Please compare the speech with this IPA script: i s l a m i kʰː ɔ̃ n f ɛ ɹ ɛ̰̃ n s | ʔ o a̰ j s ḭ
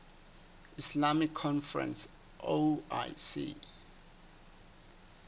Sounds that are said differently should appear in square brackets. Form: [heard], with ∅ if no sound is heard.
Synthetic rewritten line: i s l a m i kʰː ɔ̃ n f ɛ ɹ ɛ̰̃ n s | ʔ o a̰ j s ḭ